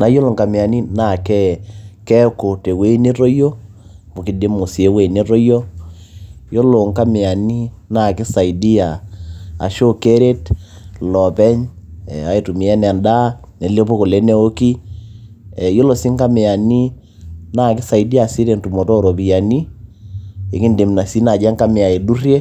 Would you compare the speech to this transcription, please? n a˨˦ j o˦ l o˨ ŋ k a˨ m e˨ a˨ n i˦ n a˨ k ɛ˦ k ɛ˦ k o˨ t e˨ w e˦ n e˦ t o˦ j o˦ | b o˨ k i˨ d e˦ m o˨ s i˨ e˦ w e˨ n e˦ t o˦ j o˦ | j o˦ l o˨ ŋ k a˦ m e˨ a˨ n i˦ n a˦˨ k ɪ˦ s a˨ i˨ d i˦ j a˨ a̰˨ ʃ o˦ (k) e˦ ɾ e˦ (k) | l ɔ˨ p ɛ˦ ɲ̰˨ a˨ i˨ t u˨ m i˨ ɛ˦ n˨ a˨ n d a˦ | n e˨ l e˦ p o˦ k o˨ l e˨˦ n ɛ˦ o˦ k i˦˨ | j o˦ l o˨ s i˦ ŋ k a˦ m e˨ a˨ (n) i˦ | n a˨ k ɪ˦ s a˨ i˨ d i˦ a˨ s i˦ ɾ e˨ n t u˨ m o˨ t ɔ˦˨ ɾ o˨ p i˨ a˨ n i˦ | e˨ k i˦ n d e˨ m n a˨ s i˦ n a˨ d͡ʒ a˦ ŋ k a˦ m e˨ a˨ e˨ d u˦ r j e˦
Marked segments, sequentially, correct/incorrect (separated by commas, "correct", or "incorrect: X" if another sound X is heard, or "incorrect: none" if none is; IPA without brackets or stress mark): correct, incorrect: t, correct